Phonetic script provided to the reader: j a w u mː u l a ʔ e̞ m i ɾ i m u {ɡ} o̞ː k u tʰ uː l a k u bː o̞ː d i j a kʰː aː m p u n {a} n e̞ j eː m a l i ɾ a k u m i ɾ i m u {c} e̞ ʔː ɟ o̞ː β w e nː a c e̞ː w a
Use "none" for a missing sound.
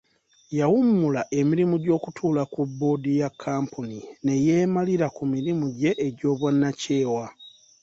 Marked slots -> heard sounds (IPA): ɟ, i, ɟ

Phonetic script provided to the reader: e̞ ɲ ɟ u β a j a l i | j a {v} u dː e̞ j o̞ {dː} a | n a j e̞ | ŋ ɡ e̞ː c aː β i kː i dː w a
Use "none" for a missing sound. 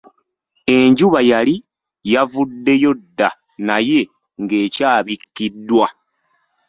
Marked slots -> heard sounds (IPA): v, dː

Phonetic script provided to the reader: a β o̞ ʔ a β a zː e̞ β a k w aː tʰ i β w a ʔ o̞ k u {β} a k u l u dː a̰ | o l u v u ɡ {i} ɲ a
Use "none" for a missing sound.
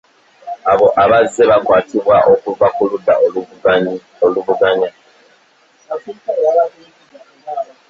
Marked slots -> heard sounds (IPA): v, a

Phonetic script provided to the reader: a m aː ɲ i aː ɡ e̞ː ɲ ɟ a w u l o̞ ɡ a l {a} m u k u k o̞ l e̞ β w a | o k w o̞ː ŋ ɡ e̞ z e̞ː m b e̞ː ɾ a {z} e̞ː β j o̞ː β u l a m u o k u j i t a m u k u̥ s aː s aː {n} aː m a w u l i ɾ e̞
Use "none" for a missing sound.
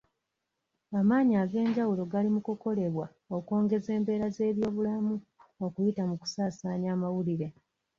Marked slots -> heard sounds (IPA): i, z, ɲ

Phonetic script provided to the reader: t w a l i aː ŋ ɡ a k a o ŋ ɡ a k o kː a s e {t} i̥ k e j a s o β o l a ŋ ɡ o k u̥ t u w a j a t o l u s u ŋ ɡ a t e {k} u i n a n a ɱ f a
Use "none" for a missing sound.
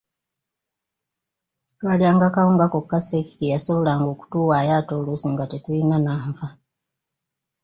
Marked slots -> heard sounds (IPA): k, t

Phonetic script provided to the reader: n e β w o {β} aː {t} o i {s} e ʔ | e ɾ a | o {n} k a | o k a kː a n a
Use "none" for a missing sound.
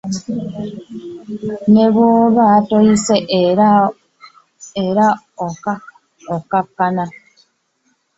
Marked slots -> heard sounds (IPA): β, t, s, none

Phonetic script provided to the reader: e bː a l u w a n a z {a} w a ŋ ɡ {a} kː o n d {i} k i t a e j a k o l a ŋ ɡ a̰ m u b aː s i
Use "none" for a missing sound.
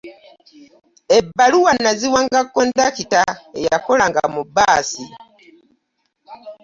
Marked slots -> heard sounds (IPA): i, a, a

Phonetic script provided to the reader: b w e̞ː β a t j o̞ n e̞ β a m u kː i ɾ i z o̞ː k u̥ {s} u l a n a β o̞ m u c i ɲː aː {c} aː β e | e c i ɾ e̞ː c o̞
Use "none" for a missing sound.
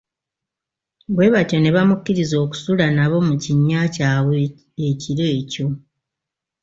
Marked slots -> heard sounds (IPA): s, c

